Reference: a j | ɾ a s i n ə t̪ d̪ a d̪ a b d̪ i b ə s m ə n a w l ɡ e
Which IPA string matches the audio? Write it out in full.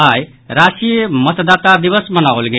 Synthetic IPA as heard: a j | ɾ a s i m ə t̪ d̪ a t̪ a d̪ i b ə s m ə n a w l ɡ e